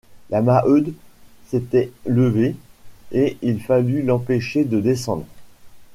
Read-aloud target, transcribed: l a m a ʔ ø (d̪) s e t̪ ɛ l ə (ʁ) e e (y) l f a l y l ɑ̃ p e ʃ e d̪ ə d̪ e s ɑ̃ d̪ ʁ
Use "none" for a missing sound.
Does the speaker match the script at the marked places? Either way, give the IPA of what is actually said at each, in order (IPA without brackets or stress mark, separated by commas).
d̪, v, i